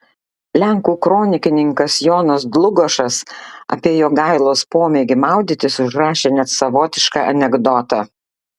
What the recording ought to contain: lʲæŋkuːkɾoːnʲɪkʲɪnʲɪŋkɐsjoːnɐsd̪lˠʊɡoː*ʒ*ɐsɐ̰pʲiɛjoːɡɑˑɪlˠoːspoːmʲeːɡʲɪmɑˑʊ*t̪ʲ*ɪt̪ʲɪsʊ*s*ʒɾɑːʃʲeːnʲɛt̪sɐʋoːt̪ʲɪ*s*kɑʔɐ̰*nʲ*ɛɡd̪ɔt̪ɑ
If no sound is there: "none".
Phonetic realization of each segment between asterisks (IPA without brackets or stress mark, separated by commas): ʃ, d̪ʲ, none, ʃ, nʲ